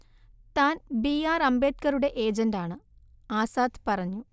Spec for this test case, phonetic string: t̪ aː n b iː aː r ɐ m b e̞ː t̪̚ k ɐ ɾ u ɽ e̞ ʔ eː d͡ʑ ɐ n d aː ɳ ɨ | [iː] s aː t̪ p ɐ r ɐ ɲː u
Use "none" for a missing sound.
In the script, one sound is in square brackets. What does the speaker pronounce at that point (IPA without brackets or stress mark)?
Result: aː